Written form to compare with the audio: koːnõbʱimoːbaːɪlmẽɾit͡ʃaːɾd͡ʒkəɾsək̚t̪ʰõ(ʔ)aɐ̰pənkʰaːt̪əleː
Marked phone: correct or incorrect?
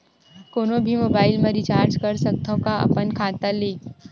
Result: incorrect: k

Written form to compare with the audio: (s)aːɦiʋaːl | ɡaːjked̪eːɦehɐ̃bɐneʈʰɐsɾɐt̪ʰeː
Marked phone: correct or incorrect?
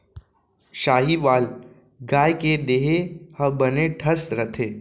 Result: incorrect: ʃ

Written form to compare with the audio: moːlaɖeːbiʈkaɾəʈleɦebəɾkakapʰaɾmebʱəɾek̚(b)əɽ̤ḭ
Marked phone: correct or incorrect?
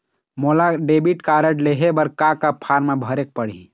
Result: incorrect: p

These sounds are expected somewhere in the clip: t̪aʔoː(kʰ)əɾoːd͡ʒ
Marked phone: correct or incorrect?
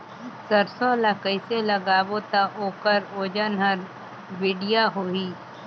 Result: incorrect: k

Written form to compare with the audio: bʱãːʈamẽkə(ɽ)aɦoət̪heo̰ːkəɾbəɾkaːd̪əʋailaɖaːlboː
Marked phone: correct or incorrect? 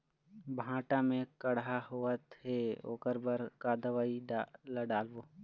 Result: correct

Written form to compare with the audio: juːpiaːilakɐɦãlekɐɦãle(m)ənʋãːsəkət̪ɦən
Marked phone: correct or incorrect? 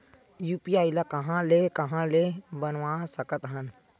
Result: incorrect: b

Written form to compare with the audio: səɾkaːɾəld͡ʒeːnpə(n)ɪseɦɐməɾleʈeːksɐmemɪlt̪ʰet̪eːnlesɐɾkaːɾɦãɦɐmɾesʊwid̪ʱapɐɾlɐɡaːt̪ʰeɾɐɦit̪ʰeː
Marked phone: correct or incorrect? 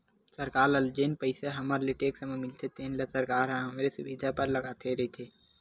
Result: incorrect: none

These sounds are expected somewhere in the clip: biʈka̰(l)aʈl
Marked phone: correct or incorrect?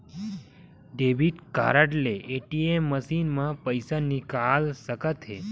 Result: incorrect: ɾ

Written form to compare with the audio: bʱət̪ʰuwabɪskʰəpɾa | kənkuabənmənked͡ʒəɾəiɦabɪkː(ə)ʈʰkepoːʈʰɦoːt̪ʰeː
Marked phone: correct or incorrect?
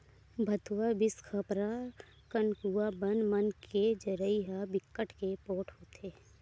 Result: correct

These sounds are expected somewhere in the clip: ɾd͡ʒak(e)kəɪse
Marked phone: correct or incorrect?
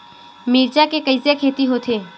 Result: correct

